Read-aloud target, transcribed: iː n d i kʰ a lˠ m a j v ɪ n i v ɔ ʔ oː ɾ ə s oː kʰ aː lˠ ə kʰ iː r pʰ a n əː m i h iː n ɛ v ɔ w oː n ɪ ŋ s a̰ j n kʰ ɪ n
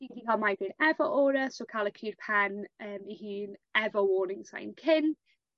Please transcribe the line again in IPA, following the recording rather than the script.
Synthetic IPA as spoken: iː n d i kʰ a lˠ m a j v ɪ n ɛ v ɔ ʔ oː ɾ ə s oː kʰ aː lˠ ə kʰ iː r pʰ a n əː m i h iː n ɛ v ɔ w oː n ɪ ŋ s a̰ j n kʰ ɪ n